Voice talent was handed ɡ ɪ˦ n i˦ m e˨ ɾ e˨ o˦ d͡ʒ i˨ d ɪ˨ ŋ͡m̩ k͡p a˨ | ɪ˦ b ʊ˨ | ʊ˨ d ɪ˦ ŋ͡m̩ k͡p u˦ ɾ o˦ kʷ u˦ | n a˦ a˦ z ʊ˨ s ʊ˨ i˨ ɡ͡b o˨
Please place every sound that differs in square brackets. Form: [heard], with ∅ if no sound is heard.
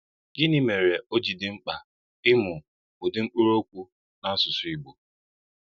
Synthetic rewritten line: ɡ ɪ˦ n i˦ m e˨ ɾ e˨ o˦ d͡ʒ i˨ d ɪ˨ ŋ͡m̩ k͡p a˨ | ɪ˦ [m] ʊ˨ | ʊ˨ d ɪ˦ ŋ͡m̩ k͡p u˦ ɾ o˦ kʷ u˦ | n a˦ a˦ [s] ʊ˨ s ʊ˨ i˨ ɡ͡b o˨